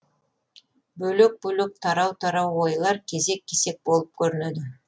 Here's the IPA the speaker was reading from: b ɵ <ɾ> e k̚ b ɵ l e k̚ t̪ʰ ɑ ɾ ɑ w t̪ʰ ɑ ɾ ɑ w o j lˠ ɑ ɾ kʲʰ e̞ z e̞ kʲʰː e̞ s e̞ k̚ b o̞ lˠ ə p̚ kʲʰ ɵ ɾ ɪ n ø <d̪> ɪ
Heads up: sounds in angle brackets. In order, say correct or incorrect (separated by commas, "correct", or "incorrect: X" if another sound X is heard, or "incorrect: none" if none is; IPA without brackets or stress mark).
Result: incorrect: l, correct